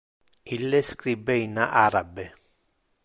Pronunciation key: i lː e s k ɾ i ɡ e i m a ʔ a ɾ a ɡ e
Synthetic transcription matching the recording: i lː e s k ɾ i b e i n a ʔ a ɾ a b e